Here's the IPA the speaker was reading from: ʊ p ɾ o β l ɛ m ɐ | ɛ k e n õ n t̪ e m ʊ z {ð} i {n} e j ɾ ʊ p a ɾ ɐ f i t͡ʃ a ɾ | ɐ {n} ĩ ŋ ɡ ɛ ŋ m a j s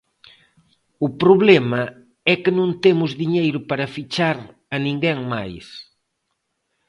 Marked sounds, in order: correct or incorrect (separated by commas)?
correct, incorrect, correct